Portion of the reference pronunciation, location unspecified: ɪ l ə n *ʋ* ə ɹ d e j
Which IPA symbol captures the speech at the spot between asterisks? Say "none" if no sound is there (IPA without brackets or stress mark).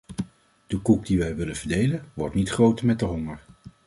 v